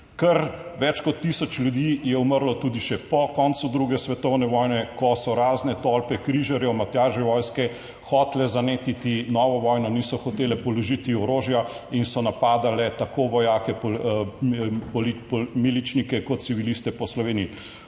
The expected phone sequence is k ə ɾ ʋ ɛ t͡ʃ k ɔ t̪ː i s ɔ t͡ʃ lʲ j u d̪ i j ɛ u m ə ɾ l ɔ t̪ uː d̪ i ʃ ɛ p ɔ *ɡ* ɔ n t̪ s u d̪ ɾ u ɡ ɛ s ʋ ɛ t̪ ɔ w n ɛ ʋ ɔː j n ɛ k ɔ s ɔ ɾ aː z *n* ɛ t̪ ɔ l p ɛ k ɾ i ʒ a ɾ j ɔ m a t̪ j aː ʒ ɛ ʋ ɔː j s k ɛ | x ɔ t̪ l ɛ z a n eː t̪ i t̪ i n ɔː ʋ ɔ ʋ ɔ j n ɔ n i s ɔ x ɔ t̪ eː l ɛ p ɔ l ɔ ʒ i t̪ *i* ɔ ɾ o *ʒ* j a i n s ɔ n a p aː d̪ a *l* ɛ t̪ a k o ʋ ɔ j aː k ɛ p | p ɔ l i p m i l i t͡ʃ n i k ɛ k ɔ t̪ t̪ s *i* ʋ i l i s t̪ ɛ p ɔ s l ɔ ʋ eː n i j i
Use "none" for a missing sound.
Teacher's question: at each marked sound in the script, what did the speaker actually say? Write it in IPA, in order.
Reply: k, n, i, ʒ, l, i

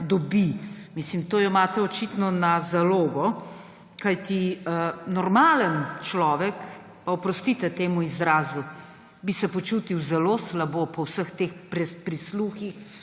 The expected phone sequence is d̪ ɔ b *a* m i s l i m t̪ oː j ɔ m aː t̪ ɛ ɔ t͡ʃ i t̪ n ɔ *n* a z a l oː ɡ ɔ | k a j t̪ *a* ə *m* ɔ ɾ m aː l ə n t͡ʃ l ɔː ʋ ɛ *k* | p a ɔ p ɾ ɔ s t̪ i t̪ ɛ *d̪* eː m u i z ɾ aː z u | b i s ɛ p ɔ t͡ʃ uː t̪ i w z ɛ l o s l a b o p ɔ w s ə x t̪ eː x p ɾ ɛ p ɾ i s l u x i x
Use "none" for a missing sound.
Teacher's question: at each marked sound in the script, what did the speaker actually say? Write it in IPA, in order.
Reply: i, n, i, n, k, t̪

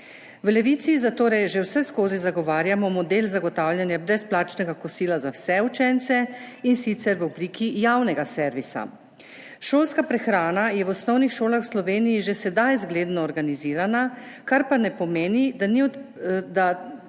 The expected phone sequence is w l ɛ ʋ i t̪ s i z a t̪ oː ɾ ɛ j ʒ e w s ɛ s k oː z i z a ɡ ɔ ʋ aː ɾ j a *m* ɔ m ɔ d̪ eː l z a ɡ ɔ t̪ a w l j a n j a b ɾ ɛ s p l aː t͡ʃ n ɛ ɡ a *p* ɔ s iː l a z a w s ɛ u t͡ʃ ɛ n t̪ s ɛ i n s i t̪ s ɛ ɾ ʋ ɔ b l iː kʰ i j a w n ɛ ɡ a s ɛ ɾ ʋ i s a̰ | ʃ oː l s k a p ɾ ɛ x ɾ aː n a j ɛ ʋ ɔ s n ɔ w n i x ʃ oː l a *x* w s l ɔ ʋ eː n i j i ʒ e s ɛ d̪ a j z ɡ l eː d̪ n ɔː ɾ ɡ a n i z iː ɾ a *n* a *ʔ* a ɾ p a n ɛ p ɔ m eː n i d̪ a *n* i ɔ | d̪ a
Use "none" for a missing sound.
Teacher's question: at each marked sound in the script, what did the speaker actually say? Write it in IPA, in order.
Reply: m, k, x, n, k, n

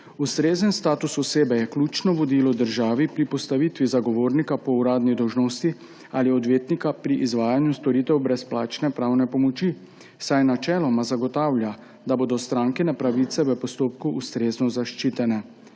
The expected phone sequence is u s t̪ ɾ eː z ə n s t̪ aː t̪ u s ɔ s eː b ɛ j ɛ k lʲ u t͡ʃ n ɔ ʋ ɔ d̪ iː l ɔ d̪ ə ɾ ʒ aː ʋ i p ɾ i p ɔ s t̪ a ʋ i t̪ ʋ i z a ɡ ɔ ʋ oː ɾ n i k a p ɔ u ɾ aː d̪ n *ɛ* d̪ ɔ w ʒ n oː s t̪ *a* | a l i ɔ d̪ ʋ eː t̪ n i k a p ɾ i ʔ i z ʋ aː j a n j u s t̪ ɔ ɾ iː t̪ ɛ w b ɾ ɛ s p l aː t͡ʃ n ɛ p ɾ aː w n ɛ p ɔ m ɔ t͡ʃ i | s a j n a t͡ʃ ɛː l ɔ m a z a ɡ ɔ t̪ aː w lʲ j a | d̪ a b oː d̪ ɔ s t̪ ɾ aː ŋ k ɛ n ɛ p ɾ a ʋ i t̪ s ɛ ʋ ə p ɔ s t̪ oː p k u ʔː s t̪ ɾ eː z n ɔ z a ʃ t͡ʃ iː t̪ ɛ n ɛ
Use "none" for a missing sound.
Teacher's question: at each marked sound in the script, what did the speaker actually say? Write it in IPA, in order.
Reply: i, i

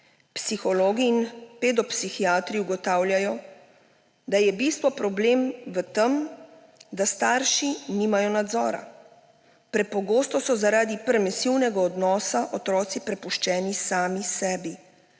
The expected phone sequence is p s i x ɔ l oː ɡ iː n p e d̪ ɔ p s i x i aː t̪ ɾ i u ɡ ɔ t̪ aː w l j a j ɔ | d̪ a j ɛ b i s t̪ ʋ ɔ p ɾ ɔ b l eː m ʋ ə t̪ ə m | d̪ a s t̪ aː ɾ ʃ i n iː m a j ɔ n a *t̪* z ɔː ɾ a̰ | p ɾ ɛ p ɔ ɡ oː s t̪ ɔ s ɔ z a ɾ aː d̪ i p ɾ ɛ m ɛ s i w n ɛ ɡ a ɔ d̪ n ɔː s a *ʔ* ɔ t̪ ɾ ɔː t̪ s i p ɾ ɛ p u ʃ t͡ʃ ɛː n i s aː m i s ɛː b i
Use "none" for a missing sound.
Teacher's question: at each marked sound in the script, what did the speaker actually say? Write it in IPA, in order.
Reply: d̪, ʔ

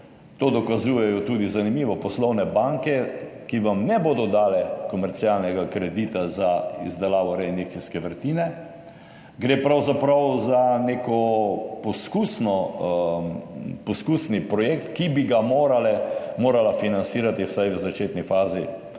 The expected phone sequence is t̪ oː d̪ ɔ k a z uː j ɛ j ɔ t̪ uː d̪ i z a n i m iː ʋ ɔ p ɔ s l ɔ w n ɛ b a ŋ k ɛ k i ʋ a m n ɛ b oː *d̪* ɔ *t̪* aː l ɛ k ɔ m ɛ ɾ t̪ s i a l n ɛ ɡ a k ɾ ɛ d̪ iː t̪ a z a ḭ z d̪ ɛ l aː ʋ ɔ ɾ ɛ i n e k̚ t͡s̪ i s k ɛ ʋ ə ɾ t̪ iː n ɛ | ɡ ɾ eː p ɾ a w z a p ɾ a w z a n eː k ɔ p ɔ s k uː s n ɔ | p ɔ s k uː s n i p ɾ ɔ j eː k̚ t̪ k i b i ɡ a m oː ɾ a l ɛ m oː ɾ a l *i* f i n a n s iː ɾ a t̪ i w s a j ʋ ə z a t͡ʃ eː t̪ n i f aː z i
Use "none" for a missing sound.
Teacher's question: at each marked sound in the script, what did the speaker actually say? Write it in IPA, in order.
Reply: d̪, d̪, a

